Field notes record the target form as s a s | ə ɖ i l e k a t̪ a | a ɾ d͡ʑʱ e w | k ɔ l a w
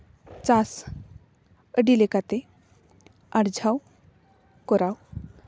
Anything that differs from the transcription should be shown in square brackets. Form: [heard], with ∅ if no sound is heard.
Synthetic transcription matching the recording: [t͡s] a s | ə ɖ i l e k a t̪ [e] | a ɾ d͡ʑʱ [a] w | k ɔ [ɾ] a w